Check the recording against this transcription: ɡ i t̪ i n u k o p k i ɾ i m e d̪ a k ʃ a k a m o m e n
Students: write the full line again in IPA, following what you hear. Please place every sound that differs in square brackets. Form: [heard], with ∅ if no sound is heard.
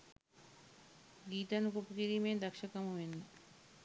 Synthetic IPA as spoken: ɡ i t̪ [a] n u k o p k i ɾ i m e d̪ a k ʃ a k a m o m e n

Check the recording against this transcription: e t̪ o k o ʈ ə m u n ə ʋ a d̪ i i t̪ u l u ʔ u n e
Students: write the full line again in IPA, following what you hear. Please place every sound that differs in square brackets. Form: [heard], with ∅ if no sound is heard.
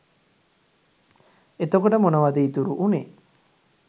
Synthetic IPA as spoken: e t̪ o k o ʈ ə m [o] n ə ʋ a d̪ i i t̪ u [ɾ] u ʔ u n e

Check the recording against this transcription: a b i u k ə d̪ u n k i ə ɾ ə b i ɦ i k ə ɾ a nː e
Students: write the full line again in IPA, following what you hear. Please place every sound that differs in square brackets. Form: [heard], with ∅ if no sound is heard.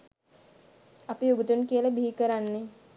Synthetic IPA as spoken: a [p] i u [ɡ] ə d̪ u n k i ə [l] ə b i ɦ i k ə ɾ a nː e

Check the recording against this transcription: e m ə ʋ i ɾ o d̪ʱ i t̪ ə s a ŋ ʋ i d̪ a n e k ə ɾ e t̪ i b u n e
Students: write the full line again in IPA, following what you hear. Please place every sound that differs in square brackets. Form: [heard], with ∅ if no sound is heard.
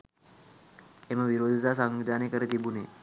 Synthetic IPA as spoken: e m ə ʋ i ɾ o d̪ʱ i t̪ [a] s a ŋ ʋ i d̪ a n e k ə ɾ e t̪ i b u n e

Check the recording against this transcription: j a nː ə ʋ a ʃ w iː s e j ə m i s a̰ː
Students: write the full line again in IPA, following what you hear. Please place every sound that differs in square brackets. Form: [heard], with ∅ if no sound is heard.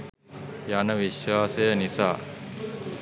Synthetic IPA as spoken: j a [n] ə ʋ [i] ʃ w [aː] s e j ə [n] i s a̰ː

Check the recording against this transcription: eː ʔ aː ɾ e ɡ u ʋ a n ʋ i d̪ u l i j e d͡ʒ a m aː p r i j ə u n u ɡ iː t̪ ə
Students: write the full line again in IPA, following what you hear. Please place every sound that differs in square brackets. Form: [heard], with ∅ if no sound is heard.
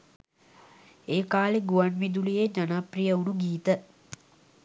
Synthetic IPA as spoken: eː [k] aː [l] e ɡ u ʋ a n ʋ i d̪ u l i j e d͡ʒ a [n] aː p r i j ə u n u ɡ iː t̪ ə

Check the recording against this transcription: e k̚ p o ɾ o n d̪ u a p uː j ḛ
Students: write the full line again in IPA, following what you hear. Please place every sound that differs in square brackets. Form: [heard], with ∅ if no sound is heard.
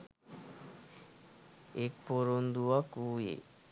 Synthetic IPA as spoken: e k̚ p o ɾ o n d̪ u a [k] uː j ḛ

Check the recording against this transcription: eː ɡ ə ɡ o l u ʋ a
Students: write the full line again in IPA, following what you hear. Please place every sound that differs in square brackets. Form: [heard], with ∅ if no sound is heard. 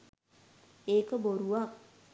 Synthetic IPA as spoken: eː [k] ə [b] o [ɾ] u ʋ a

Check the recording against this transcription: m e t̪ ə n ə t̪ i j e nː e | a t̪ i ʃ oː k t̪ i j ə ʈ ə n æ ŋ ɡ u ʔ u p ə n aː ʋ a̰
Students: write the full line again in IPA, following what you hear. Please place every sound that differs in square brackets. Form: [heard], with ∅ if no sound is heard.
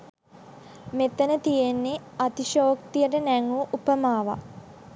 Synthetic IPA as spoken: m e t̪ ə n ə t̪ i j e nː e | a t̪ i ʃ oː k t̪ i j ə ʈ ə n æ ŋ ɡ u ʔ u p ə [m] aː ʋ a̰

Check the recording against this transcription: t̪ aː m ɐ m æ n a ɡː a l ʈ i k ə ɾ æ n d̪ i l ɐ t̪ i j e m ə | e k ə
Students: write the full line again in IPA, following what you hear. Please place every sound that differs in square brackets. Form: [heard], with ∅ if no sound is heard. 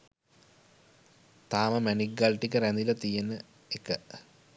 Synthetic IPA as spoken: t̪ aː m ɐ m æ n [i] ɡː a l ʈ i k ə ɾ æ n d̪ i l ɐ t̪ i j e [n] ə | e k ə

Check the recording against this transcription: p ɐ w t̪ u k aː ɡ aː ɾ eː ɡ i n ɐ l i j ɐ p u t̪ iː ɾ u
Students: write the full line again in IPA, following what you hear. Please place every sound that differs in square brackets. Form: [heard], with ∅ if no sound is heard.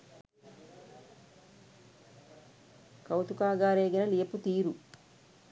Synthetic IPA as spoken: [k] ɐ w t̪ u k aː ɡ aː ɾ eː ɡ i n ɐ l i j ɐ p u t̪ iː ɾ u

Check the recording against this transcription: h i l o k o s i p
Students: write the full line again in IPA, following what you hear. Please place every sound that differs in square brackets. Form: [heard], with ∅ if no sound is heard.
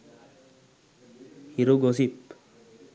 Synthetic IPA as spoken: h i [ɾ] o [ɡ] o s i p

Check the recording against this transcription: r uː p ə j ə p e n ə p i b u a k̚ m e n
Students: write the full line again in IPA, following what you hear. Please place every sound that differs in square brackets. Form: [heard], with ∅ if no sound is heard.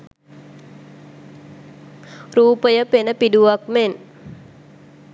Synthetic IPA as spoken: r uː p ə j ə p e n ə p i [d] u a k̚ m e n

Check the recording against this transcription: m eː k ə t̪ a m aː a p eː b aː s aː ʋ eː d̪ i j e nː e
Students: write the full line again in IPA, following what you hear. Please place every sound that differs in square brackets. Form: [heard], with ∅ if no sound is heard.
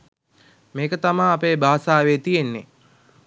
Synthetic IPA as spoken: m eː k ə t̪ a m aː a p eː b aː s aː ʋ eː [t̪] i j e nː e

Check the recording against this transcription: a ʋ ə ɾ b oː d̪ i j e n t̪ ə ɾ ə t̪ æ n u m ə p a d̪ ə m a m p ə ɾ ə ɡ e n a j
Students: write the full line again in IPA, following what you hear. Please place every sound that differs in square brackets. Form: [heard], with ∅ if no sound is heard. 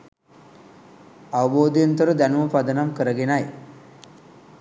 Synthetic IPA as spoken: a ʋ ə [∅] b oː d̪ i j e n t̪ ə ɾ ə [d̪] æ n u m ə p a d̪ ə [n] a m [k] ə ɾ ə ɡ e n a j

